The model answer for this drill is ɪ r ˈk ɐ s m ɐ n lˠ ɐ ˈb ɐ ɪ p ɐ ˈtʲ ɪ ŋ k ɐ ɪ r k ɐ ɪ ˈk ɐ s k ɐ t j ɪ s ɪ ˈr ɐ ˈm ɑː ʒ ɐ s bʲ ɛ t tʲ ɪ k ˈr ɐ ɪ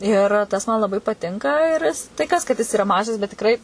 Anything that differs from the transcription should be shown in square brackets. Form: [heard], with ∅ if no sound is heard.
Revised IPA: ɪ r [ˈt] ɐ s m ɐ n lˠ ɐ ˈb ɐ ɪ p ɐ ˈtʲ ɪ ŋ k ɐ ɪ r [t] ɐ ɪ ˈk ɐ s k ɐ t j ɪ s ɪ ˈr ɐ ˈm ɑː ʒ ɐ s bʲ ɛ t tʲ ɪ k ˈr ɐ ɪ